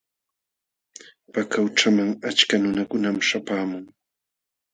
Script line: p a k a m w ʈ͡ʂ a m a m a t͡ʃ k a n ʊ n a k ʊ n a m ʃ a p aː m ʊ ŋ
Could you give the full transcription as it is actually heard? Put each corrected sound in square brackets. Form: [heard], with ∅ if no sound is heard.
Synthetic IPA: p a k a [∅] w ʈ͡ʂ a m a [ŋ] a t͡ʃ k a n ʊ n a k ʊ n a m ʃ a p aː m ʊ ŋ